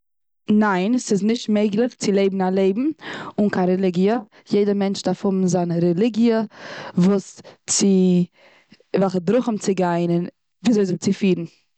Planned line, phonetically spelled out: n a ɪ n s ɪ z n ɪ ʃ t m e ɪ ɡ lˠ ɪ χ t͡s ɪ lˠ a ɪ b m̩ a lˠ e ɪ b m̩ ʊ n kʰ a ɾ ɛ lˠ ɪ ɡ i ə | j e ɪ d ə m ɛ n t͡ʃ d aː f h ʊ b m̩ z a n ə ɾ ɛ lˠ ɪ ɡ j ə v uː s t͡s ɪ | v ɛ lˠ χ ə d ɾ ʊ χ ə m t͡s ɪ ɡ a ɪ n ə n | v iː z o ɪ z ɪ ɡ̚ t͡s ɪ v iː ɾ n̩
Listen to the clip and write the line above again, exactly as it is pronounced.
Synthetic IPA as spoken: n a ɪ n s ɪ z n ɪ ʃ t m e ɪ ɡ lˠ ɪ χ t͡s ɪ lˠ e ɪ b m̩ a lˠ e ɪ b m̩ ʊ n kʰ a ɾ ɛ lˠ ɪ ɡ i ə | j e ɪ d ə m ɛ n t͡ʃ d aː f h ʊ b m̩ z a n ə ɾ ɛ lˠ ɪ ɡ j ə v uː s t͡s ɪ | v ɛ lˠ χ ə d ɾ ʊ χ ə m t͡s ɪ ɡ a ɪ n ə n | v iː z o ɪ z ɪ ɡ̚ t͡s ɪ f iː ɾ n̩